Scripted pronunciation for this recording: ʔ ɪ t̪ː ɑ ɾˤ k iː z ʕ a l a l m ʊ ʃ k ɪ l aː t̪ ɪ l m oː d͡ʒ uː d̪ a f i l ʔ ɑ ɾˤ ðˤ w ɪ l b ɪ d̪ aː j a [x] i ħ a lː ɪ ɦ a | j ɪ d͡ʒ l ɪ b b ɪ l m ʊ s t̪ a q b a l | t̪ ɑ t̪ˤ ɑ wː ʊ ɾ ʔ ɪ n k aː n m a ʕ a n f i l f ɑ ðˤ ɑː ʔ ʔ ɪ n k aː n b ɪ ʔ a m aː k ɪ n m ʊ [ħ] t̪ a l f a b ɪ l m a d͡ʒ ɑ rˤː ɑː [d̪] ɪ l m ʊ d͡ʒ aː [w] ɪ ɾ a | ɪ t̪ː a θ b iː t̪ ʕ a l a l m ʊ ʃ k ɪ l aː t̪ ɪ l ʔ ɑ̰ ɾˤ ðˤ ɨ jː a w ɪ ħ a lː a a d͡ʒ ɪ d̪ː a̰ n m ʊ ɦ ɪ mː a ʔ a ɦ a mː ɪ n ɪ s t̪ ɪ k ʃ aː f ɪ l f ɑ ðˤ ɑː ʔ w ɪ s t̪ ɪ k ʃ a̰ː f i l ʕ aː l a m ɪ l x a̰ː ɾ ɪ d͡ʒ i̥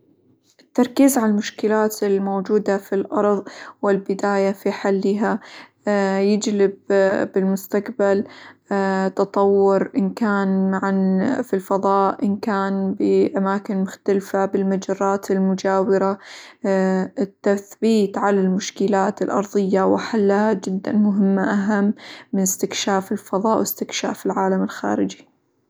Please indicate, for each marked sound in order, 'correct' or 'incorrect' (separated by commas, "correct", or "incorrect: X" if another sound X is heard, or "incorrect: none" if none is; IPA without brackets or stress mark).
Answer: incorrect: f, incorrect: x, incorrect: t̪, correct